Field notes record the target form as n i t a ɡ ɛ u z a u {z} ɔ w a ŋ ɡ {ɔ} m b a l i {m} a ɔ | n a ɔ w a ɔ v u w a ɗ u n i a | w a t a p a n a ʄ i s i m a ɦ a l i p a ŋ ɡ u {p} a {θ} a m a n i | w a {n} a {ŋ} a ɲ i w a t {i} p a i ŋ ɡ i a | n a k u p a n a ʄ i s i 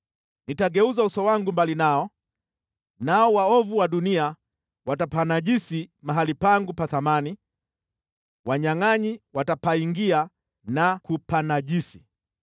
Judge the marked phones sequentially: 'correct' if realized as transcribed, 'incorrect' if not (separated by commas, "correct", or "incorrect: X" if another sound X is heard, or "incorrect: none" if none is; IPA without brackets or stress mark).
incorrect: s, incorrect: u, incorrect: n, correct, correct, incorrect: ɲ, correct, incorrect: a